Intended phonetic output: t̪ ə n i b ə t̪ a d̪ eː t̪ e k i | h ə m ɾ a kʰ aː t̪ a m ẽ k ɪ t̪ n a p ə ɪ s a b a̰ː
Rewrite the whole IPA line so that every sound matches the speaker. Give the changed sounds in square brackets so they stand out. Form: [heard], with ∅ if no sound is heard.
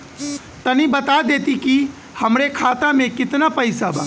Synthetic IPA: t̪ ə n i b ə t̪ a d̪ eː t̪ [i] k i | h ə m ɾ [e] kʰ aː t̪ a m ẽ k ɪ t̪ n a p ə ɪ s a b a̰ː